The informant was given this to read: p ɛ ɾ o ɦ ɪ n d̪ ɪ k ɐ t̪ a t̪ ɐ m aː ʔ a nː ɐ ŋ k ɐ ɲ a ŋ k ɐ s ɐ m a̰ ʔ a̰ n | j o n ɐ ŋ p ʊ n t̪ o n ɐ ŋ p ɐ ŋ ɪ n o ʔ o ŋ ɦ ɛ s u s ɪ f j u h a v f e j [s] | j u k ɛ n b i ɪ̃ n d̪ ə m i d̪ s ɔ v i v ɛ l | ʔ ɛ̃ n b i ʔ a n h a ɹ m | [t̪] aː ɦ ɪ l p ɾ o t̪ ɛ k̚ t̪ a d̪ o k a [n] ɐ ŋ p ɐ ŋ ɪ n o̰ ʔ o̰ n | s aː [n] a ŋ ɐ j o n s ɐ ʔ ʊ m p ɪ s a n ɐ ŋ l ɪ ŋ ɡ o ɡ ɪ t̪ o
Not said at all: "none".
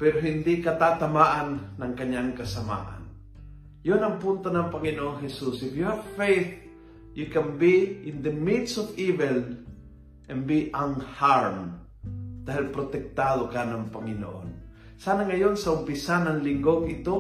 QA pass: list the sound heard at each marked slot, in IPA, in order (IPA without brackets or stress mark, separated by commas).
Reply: θ, d̪, n, n